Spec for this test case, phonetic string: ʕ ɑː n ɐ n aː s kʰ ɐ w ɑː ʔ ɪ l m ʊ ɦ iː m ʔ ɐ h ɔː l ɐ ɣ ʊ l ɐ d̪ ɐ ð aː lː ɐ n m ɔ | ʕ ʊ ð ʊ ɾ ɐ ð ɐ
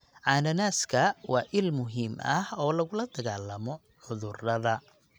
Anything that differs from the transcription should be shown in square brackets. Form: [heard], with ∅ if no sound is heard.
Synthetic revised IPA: ʕ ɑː n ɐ n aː s kʰ ɐ w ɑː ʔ ɪ l m ʊ ɦ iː m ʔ ɐ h ɔː l ɐ ɣ ʊ l ɐ d̪ ɐ [ɣ] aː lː ɐ [∅] m ɔ | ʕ ʊ ð ʊ [r] ɐ ð ɐ